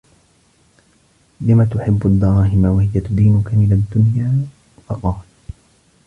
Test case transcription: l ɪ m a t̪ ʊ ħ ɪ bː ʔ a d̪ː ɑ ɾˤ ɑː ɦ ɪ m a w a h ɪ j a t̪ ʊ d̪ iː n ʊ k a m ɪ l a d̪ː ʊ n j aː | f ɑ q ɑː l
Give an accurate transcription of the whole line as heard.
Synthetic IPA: l ɪ m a t̪ ʊ ħ ɪ bː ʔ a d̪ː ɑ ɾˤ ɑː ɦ ɪ m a w a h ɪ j a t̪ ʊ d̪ iː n ʊ k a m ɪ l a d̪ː ʊ n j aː | f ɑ q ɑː l